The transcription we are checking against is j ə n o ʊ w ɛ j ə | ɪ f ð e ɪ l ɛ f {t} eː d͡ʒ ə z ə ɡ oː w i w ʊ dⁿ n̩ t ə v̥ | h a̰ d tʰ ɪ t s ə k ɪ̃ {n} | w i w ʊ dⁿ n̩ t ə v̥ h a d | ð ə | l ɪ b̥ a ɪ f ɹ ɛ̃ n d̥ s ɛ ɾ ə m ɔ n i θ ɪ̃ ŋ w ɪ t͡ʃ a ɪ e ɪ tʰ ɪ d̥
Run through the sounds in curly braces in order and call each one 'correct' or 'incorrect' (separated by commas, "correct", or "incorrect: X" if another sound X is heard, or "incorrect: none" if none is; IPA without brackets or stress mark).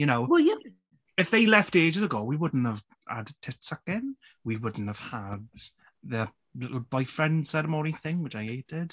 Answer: correct, correct